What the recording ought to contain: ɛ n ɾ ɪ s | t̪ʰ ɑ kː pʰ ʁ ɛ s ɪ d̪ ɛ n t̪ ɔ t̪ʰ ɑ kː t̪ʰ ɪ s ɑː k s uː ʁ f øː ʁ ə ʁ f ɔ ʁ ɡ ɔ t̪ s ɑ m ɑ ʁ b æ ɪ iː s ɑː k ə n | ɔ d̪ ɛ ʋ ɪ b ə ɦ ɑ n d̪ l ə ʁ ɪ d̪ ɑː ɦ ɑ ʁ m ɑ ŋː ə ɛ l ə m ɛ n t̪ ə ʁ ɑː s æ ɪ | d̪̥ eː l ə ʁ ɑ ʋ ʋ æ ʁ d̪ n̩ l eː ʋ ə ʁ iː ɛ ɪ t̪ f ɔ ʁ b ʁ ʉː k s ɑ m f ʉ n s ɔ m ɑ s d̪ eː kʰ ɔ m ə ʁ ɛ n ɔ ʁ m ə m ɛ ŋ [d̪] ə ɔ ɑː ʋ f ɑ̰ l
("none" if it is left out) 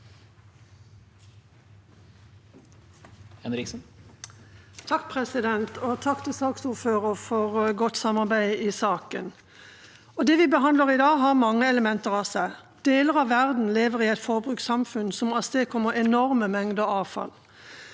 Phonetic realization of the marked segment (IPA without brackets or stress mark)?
d̪